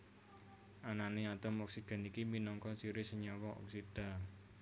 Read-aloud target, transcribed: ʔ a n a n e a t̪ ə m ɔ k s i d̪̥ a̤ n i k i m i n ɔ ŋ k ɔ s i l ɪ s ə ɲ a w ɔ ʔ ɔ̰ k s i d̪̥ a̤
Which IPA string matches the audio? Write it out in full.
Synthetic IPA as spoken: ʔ a n a n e a t̪ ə m ɔ k s i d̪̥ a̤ n i k i m i n ɔ ŋ k ɔ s i ɾ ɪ s ə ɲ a w ɔ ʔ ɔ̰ k s i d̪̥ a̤